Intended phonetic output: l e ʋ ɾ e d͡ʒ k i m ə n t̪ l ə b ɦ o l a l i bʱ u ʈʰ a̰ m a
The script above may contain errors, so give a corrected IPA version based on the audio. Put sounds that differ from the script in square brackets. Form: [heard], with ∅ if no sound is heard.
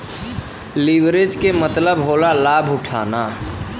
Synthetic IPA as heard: l [i] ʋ ɾ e d͡ʒ k [e] m ə [∅] t̪ l ə b ɦ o l a l [a] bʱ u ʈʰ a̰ [n] a